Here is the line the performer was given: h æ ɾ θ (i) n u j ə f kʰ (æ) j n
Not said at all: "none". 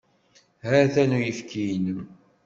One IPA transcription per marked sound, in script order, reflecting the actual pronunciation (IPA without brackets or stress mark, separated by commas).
æ, i